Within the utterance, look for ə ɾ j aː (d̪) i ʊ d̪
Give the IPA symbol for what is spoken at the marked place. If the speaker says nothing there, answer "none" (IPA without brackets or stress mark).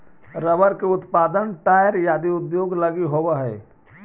d̪